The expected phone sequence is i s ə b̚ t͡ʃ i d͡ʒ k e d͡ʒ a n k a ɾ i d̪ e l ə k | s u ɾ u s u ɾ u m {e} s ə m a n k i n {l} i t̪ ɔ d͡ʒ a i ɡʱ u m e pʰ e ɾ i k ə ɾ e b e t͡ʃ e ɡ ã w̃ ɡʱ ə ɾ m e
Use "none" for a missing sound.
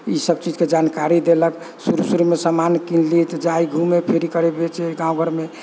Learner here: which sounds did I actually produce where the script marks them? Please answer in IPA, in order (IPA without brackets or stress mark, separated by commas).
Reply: e, l